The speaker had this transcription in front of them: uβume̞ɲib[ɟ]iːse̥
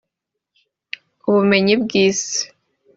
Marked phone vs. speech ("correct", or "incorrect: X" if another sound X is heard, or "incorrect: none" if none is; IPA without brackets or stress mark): incorrect: ɡ